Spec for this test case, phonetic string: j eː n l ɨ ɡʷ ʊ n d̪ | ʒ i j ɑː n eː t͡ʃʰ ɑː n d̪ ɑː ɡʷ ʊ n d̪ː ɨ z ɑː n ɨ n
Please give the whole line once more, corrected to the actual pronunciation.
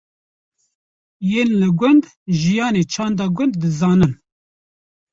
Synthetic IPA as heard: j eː n l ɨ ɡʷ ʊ n d̪ | ʒ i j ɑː n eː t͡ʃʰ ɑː n d̪ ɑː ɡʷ ʊ n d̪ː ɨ z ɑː n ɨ n